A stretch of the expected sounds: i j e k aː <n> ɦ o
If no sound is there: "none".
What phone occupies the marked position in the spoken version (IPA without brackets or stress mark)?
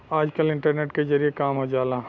m